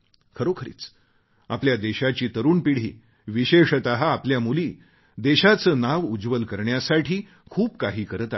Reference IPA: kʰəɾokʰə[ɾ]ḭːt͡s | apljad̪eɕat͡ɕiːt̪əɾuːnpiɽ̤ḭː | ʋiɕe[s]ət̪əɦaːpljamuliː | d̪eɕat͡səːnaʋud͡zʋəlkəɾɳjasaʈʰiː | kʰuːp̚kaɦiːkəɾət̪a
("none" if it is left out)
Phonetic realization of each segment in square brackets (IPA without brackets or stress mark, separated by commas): ɾ, ʂ